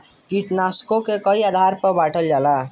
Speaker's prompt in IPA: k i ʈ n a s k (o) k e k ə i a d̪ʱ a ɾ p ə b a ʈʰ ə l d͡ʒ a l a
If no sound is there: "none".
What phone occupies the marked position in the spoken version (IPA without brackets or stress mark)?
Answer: o